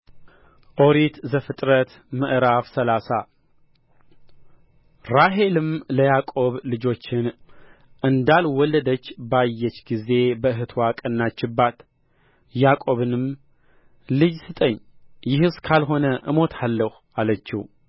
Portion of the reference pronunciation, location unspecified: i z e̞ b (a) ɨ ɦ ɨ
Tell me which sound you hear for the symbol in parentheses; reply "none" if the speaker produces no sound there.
ə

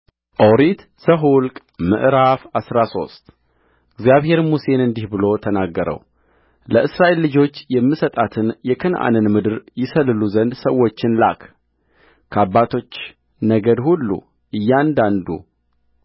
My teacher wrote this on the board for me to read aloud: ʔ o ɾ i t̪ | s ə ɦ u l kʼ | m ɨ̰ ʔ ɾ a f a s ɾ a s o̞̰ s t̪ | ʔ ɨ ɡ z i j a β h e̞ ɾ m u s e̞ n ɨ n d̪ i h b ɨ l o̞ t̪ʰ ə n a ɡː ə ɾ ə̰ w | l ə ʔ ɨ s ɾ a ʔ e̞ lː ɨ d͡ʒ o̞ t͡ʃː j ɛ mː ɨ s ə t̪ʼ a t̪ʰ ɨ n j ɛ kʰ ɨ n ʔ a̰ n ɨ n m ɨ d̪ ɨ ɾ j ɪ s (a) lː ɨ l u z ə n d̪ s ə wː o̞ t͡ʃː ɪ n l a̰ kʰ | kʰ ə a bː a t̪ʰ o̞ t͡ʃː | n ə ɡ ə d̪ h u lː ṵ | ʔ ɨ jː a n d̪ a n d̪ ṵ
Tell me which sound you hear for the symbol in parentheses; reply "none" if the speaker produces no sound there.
ə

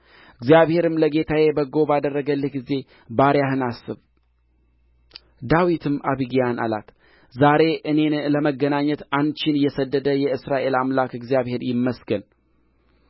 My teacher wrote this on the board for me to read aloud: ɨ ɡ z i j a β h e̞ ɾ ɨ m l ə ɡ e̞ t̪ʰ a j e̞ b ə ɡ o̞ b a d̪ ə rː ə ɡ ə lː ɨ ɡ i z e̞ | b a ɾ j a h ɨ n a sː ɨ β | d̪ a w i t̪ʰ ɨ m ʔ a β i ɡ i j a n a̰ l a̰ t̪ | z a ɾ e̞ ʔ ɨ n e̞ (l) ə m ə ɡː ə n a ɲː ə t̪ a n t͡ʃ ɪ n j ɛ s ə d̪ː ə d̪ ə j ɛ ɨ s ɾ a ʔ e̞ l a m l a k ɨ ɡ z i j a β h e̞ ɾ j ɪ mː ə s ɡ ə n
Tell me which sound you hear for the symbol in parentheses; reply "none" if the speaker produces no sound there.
l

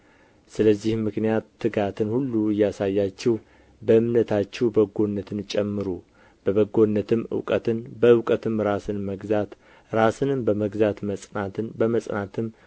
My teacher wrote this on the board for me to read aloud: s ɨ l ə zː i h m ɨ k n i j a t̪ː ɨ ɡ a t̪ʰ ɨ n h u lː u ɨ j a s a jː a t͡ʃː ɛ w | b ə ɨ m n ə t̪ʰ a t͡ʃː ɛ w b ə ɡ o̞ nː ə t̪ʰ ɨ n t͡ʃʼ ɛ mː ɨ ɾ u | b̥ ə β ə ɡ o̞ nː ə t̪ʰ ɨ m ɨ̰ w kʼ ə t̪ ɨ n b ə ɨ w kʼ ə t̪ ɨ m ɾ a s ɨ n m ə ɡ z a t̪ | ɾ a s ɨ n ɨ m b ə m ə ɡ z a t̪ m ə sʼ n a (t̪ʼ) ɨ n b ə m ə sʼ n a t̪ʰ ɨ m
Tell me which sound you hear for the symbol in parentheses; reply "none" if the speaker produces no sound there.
t̪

